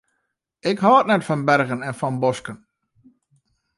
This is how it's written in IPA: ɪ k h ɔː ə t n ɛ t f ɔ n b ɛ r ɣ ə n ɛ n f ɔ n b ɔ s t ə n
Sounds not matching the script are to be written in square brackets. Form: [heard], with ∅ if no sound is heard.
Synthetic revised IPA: ɪ k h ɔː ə t n ɛ t f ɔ n b ɛ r ɣ ə n ɛ n f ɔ n b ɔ s [k] ə n